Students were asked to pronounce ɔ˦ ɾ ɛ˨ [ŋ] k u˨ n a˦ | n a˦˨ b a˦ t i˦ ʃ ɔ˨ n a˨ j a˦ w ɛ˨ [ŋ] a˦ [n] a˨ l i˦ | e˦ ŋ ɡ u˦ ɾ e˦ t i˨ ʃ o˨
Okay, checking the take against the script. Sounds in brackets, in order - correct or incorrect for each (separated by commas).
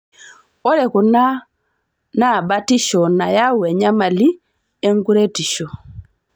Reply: incorrect, incorrect, incorrect